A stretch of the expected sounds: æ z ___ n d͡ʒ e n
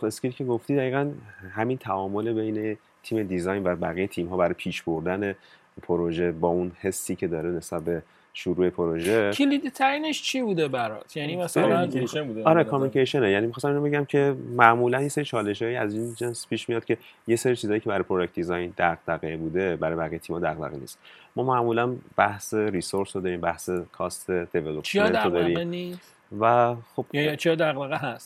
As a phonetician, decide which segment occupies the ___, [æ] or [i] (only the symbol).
i